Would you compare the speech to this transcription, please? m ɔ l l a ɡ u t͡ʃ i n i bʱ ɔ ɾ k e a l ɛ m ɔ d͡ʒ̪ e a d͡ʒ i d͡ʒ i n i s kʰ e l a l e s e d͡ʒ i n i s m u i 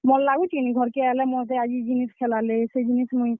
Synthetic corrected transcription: m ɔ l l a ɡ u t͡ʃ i n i ɡʱ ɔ ɾ k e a l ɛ m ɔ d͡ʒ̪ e a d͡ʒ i d͡ʒ i n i s kʰ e l a l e s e d͡ʒ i n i s m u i